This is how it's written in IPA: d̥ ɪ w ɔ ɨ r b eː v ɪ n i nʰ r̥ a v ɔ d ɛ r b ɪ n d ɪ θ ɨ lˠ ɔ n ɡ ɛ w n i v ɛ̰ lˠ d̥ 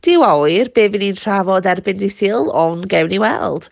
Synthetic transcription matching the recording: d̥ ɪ w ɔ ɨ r b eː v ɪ n i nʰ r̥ a v ɔ d ɛ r b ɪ n d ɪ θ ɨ lˠ ɔ n ɡ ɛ w n i w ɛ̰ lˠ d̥